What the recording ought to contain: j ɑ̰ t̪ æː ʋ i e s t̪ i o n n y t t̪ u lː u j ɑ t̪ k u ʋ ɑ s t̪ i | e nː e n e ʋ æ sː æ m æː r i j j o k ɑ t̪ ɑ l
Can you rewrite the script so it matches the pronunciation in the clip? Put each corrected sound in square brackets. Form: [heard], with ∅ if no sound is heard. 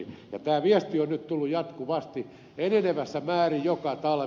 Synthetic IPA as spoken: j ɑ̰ t̪ æː ʋ i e s t̪ i o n n y t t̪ u lː u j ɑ t̪ k u ʋ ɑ s t̪ i | e [n] e n e ʋ æ sː æ m æː r i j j o k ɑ t̪ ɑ l